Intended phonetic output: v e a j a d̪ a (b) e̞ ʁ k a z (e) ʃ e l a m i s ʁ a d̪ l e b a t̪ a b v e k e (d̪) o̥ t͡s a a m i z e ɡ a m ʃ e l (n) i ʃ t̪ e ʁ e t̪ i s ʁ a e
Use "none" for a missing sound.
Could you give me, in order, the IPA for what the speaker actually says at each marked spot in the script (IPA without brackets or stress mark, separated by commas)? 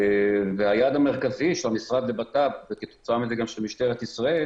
m, i, t̪, m